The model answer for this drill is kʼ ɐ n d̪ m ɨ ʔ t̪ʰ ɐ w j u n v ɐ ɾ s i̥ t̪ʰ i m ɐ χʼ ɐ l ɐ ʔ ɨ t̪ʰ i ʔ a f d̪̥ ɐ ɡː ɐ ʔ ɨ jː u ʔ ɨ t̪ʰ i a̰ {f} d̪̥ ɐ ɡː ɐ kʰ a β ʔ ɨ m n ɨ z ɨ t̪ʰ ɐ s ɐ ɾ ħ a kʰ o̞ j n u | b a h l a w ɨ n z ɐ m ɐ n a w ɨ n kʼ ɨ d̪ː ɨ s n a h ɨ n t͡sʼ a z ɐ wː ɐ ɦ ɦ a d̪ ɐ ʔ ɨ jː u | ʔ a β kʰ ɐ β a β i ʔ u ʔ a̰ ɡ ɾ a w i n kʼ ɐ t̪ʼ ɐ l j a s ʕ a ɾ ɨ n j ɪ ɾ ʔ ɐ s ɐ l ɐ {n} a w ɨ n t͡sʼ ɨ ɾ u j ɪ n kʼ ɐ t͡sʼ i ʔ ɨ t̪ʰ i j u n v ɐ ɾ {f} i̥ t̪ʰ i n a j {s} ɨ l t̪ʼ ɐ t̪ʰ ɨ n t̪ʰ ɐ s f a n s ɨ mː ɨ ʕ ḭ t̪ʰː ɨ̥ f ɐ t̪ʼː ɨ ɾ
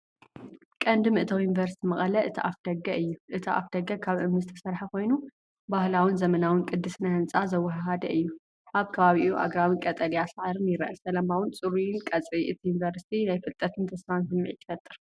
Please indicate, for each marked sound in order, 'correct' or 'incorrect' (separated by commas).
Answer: correct, incorrect, incorrect, incorrect